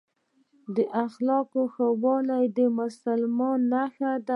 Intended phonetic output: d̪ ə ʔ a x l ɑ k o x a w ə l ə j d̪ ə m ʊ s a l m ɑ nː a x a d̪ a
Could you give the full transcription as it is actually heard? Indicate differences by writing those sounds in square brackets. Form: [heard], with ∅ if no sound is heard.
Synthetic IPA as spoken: d̪ ə ʔ a x l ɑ k o x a w [ɑ] l [a] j d̪ ə m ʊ s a l m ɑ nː a x a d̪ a

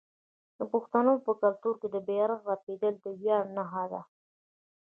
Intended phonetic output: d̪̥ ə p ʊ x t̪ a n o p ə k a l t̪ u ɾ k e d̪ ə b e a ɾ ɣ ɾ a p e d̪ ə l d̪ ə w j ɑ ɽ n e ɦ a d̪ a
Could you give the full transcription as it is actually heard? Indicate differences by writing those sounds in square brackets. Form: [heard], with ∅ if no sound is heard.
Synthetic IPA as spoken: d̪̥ ə p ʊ x t̪ a n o p ə k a l t̪ u ɾ k e d̪ ə b e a ɾ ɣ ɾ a p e d̪ ə l d̪ ə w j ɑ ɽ n [a] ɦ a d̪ a

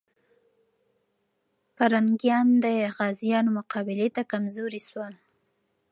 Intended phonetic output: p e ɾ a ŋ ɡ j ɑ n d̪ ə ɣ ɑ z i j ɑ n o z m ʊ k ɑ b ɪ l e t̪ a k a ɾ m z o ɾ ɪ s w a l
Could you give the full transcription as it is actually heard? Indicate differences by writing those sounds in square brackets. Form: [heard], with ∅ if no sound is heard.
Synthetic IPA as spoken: p [a] ɾ a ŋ ɡ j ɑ n d̪ ə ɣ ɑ z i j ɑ n o [∅] m ʊ [q] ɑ b ɪ l e t̪ a k a [∅] m z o ɾ [i] s w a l

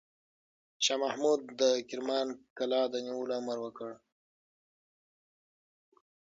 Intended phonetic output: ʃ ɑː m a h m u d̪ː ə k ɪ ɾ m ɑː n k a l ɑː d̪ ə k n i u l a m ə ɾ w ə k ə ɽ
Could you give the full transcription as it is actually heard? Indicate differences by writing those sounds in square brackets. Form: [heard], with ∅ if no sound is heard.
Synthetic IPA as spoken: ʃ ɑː m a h m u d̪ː ə k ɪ ɾ m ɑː n k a l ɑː d̪ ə [∅] n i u l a m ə ɾ w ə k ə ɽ

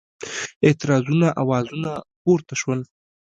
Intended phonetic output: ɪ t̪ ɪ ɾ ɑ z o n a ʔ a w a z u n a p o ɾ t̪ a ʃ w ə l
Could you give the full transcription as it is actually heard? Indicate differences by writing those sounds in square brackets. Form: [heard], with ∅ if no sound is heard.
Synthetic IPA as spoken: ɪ t̪ ɪ ɾ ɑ z [u] n a ʔ a w [ɑ] z u n a p o ɾ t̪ a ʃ w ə l

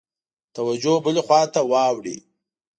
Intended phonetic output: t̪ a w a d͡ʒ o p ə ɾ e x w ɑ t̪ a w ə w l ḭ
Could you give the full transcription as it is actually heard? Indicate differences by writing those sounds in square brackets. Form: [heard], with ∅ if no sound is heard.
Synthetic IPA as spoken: t̪ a w a d͡ʒ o [b] ə [l] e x w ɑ t̪ a w [ɑ] w [ɽ] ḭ

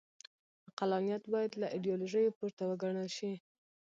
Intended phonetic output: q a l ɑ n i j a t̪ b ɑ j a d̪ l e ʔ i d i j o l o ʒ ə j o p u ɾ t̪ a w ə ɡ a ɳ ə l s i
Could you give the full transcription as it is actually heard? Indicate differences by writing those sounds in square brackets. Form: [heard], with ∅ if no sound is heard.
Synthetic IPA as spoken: q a l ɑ n i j a t̪ b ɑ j a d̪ l [a] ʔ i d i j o l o ʒ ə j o p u ɾ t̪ a w ə ɡ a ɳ ə l [ʃ] i

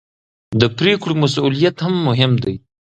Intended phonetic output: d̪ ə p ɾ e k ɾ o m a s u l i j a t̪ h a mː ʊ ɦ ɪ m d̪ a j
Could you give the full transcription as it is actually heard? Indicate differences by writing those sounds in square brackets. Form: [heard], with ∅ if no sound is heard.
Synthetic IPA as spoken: d̪ ə p ɾ e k [ɽ] o m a s u l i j a t̪ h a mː ʊ ɦ ɪ m d̪ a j

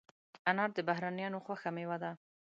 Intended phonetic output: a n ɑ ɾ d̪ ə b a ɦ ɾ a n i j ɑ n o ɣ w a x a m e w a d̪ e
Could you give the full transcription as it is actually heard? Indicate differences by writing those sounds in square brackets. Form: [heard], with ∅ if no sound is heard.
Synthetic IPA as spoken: a n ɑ ɾ d̪ ə b a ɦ ɾ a n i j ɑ n o [x] w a x a m e w a d̪ [a]

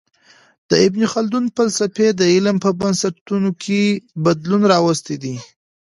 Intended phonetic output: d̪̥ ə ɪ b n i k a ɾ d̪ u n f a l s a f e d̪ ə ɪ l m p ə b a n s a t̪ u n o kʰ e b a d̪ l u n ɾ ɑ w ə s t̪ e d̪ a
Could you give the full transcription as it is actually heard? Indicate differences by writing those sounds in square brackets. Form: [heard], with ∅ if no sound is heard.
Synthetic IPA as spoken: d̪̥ ə ɪ b n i [x] a [l] d̪ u n f a l s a f e d̪ ə ɪ l m p ə b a n s a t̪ u n o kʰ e b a d̪ l u n ɾ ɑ w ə s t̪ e d̪ [i]

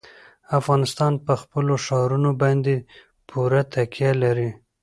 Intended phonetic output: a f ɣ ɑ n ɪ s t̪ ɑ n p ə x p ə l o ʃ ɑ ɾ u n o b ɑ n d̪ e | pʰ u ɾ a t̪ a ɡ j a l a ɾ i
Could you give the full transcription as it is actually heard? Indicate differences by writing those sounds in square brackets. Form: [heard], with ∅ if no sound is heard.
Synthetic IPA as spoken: a f ɣ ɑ n ɪ s t̪ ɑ n p ə x p ə l o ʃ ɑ ɾ u n o b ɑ n d̪ e | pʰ u ɾ a t̪ a [k] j a l a ɾ i

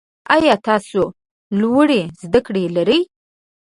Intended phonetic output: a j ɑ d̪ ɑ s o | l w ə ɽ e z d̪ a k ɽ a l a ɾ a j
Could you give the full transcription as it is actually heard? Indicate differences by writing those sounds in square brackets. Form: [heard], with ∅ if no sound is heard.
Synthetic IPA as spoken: a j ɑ [t̪] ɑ s o | l w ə ɽ e z d̪ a k ɽ [e] l a ɾ [ə] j

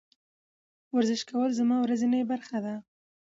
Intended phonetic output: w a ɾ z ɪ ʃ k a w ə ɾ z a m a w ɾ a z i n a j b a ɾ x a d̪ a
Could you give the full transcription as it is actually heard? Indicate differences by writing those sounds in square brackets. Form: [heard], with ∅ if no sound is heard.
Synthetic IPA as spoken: w a ɾ z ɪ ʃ k a w ə [l] z a m [ɑ] w ɾ a z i n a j b a ɾ x a d̪ a

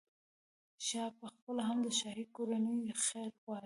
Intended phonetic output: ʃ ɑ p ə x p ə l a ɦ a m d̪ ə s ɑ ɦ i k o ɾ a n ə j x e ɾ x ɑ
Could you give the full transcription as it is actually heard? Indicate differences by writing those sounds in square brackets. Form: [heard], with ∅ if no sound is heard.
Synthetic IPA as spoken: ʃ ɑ p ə x p ə l a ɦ a m d̪ ə [ʃ] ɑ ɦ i k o ɾ a n ə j x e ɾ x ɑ

